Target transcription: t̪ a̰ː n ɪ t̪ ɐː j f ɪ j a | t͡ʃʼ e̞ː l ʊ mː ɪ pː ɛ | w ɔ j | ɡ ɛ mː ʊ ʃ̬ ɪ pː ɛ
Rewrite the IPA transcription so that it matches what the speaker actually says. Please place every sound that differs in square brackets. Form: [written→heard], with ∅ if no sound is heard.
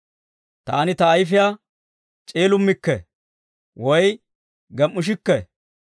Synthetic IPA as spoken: t̪ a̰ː n ɪ t̪ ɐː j f ɪ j a | t͡ʃʼ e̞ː l ʊ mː ɪ [pː→kː] ɛ | w ɔ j | ɡ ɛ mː ʊ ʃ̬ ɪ [pː→kː] ɛ